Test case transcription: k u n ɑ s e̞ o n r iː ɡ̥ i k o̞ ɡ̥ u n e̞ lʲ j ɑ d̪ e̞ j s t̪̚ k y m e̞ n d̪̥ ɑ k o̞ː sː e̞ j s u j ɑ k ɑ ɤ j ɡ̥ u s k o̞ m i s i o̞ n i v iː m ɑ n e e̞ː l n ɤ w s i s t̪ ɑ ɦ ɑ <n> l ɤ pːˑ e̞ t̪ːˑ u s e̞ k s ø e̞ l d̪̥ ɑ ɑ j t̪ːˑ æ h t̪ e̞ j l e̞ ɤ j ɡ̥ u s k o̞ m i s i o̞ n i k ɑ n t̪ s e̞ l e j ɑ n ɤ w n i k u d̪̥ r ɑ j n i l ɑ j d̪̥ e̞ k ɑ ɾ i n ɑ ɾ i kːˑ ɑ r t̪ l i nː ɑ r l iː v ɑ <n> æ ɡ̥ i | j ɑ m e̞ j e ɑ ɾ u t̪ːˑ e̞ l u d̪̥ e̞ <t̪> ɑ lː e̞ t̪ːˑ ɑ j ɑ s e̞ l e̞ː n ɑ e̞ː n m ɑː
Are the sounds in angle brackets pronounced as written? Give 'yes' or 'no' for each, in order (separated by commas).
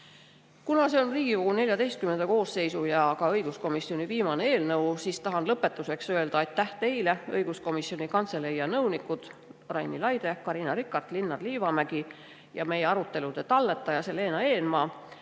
yes, no, yes